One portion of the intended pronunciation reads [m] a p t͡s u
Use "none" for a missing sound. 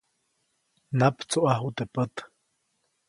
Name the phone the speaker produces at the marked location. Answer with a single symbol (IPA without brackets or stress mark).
n